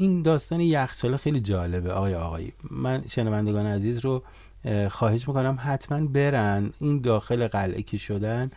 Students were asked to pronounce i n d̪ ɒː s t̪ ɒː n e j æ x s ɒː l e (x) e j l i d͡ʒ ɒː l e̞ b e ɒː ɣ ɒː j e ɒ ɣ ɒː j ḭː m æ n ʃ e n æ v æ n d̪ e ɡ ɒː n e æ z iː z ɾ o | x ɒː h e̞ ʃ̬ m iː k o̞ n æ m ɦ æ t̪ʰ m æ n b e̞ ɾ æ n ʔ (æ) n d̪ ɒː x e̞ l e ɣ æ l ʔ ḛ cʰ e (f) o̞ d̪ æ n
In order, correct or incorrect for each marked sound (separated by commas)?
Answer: correct, incorrect, incorrect